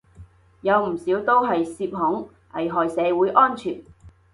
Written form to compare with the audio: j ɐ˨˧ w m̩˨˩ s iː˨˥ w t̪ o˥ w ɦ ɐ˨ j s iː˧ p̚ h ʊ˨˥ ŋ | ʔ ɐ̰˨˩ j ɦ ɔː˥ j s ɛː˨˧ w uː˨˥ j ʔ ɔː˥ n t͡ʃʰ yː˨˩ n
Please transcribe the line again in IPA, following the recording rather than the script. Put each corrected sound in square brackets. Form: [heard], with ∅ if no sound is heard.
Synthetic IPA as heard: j ɐ˨˧ w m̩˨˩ s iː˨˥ w t̪ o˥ w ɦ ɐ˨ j s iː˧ p̚ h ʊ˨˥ ŋ | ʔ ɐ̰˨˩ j ɦ [ɔː˨] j s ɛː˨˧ w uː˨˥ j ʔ ɔː˥ n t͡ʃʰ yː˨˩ n